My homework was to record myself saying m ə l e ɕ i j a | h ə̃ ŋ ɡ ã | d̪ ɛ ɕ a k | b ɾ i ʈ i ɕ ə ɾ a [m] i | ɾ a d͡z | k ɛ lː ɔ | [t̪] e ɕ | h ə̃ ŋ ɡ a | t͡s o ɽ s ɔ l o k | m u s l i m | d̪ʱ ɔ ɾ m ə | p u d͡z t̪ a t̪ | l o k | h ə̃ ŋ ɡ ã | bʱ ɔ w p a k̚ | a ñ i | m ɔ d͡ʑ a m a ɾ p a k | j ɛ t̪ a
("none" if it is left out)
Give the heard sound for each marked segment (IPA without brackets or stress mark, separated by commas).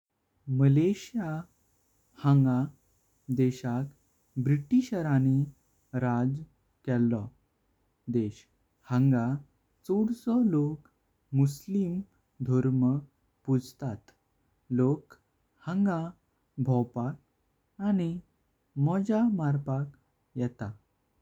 n, d̪